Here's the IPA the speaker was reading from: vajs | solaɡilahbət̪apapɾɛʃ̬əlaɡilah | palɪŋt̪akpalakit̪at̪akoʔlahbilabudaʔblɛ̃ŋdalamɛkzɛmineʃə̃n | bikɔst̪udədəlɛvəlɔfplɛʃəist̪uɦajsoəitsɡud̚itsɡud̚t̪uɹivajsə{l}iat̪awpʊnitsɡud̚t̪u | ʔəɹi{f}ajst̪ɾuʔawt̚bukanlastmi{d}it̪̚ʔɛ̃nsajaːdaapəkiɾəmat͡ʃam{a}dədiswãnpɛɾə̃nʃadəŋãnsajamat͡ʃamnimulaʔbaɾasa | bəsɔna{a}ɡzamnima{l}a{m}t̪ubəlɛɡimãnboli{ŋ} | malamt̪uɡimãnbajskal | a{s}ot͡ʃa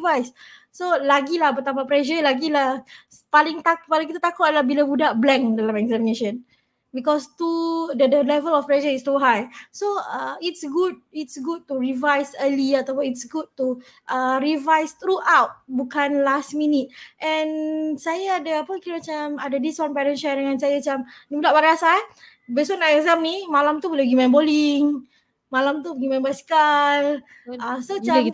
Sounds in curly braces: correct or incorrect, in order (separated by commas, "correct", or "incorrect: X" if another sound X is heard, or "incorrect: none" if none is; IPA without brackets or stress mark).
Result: correct, incorrect: v, incorrect: n, correct, incorrect: ɛ, correct, correct, correct, correct